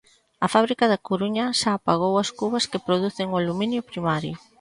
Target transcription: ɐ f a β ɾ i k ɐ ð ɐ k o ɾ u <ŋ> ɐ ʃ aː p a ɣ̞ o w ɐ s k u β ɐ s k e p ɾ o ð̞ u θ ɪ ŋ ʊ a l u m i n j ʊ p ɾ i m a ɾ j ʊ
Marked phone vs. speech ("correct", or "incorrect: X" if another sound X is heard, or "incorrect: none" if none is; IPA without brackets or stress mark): incorrect: ɲ